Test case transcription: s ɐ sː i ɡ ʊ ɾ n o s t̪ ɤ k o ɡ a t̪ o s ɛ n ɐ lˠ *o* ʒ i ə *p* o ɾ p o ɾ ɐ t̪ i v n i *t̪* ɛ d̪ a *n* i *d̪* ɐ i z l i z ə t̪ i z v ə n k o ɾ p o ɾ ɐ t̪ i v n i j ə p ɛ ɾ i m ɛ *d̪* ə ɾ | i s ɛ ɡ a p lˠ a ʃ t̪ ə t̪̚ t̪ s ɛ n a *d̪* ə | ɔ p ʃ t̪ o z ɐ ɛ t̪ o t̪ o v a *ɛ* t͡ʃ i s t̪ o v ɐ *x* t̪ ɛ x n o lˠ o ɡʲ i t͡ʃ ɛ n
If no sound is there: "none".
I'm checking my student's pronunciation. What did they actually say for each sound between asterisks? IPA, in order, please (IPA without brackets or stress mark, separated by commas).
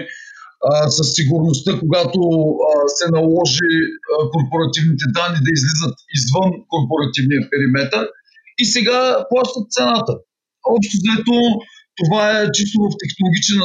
ɔ, k, t̪, nː, d̪, t̪, t̪, ɛ, f